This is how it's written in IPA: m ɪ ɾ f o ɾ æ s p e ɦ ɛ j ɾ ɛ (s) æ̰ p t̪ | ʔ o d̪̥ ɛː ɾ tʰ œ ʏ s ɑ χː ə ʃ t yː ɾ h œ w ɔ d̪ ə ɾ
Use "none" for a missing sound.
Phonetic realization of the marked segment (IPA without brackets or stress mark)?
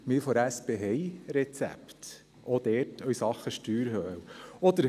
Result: t͡s